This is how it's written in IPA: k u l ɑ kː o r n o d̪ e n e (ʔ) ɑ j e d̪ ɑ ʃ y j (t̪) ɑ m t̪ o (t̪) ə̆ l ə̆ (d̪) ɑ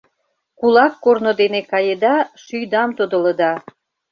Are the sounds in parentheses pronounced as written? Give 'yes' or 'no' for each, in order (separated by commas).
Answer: no, no, no, yes